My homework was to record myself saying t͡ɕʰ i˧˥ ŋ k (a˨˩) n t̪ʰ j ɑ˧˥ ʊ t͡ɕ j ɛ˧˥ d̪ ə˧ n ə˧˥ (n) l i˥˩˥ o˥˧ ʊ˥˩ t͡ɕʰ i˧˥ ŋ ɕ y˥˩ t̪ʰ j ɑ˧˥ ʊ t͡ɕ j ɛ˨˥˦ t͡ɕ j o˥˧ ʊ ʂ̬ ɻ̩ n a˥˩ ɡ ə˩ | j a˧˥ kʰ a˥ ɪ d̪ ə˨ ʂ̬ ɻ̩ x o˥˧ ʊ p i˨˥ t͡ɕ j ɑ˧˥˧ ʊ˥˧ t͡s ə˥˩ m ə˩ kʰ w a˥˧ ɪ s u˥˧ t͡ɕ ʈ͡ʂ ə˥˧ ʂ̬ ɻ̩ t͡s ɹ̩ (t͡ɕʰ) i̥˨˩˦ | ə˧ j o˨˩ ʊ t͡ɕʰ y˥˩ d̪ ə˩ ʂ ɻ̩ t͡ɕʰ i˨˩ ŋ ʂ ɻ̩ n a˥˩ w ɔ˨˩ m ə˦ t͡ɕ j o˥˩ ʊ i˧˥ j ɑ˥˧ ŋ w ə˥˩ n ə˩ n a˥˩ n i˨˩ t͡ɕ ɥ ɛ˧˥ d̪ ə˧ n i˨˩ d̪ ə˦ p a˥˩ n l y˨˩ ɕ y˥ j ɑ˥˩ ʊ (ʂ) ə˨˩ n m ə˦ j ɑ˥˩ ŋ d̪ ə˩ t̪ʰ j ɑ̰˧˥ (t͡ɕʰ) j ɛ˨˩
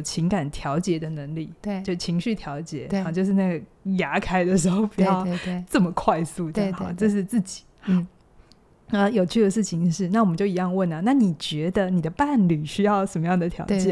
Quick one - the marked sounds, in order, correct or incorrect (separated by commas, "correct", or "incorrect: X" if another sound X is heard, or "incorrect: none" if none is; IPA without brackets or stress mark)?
correct, incorrect: ŋ, incorrect: t͡ɕ, correct, incorrect: t͡ɕ